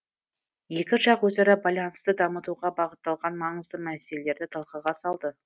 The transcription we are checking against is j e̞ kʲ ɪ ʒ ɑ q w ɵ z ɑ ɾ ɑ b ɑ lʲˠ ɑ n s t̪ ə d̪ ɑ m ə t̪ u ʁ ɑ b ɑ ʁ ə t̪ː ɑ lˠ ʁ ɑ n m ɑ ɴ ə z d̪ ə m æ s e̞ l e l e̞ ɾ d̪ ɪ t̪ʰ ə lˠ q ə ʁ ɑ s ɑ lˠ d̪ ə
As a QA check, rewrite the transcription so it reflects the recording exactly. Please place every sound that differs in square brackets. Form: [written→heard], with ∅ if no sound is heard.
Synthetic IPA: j e̞ kʲ ɪ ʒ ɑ q w ɵ z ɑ ɾ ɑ b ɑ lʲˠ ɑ n s t̪ ə d̪ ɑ m ə t̪ u ʁ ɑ b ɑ ʁ ə t̪ː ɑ lˠ ʁ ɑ n m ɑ ɴ ə z d̪ ə m æ s e̞ l e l e̞ ɾ d̪ ɪ t̪ʰ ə lˠ q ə ʁ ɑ s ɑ lˠ d̪ ə